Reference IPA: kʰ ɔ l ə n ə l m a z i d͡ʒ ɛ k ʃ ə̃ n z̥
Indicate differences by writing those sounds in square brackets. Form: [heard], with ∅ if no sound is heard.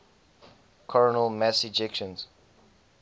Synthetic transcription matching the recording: kʰ ɔ [ɹ] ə n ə l m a [s] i d͡ʒ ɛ k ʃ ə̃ n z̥